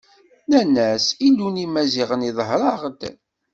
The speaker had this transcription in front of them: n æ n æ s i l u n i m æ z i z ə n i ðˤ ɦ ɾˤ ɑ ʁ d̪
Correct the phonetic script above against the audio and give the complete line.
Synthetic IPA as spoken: n æ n æ s i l u n i m æ z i ʁ ə n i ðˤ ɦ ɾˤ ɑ ʁ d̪